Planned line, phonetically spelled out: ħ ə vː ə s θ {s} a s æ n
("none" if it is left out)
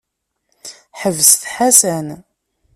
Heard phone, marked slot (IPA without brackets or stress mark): ħ